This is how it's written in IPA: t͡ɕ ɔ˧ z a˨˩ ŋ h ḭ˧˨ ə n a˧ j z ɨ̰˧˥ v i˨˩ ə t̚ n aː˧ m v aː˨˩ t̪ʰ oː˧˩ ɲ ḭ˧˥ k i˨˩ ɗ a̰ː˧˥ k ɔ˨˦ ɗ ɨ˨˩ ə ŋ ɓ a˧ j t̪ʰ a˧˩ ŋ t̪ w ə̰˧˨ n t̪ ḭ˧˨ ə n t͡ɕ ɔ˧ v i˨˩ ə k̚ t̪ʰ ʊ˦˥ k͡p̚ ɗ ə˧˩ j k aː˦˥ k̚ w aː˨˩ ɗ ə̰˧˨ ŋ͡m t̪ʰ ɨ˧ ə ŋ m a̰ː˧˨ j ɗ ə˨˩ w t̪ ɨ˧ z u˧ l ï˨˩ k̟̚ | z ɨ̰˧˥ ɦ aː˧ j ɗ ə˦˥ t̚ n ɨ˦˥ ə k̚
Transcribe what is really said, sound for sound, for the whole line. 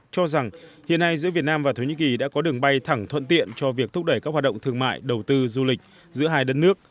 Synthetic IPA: t͡ɕ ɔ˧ z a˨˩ ŋ h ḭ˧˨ ə n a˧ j z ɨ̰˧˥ v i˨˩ ə t̚ n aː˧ m v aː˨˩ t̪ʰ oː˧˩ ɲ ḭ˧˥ k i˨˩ ɗ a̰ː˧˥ k ɔ˨˦ ɗ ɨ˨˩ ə ŋ ɓ a˧ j t̪ʰ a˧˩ ŋ t̪ʰ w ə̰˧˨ n t̪ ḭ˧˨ ə n t͡ɕ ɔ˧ v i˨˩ ə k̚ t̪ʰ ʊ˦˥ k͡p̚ ɗ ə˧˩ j k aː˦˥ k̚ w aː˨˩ ɗ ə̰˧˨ ŋ͡m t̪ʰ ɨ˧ ə ŋ m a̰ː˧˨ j ɗ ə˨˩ w t̪ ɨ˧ z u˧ l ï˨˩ k̟̚ | z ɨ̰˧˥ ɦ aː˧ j ɗ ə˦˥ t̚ n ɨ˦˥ ə k̚